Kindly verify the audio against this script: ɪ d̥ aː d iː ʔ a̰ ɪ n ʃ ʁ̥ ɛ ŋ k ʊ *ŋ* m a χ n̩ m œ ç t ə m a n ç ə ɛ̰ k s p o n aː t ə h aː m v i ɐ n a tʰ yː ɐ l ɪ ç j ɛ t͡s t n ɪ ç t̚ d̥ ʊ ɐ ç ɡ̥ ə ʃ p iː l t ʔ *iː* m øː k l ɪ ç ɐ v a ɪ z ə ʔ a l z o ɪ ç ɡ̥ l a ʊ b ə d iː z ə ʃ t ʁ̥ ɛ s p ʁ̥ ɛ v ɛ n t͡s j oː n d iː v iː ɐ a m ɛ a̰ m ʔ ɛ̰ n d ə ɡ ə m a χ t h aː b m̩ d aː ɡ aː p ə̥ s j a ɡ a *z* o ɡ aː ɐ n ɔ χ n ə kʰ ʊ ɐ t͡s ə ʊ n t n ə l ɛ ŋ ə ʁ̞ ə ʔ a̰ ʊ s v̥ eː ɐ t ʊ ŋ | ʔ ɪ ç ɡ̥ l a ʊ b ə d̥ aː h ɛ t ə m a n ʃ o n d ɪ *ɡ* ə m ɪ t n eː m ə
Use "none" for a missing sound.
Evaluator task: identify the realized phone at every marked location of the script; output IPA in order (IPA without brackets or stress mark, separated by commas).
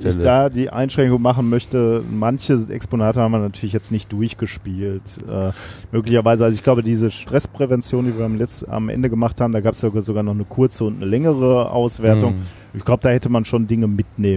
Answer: ŋ, ɛː, z, ŋ